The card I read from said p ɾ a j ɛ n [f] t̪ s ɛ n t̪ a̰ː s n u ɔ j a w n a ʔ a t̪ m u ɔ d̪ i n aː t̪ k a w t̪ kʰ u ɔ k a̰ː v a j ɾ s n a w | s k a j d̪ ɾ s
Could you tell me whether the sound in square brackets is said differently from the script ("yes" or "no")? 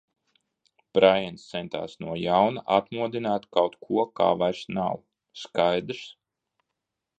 yes